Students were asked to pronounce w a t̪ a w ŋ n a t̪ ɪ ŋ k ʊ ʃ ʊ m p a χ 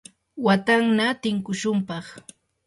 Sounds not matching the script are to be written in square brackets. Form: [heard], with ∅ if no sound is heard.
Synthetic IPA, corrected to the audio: w a t̪ a [∅] ŋ n a t̪ ɪ ŋ k ʊ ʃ ʊ m p [ɑ] χ